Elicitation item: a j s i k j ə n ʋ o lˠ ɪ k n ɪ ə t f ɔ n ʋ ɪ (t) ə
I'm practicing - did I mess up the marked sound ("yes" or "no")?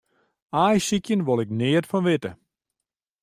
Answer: no